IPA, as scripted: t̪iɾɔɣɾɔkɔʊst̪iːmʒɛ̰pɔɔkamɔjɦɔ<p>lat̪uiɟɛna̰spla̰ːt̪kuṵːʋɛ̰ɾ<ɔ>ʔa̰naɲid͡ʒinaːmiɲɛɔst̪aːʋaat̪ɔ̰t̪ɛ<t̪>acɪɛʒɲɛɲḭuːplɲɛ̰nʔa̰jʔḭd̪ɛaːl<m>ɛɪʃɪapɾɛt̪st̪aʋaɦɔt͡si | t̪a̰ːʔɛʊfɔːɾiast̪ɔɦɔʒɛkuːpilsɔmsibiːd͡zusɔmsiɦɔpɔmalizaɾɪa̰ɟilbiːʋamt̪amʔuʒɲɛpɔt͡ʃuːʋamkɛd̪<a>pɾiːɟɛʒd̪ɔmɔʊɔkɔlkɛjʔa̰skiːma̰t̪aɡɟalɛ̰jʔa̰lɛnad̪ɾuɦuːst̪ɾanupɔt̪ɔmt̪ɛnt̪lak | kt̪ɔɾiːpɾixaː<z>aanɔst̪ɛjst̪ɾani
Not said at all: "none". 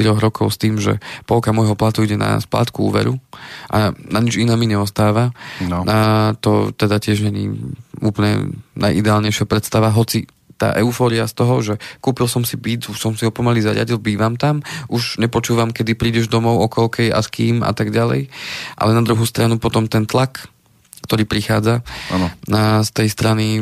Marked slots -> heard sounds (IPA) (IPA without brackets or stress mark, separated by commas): p, u, d̪, ɲ, i, d͡z